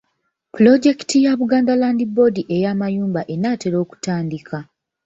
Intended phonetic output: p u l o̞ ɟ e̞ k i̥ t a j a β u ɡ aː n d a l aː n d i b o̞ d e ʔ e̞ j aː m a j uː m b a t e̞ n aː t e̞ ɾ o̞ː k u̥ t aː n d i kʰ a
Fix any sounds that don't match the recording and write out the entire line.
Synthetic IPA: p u l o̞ ɟ e̞ k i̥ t i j a β u ɡ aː n d a l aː n d i b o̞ d i ʔ e̞ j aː m a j uː m b a ʔ e̞ n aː t e̞ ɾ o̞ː k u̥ t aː n d i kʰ a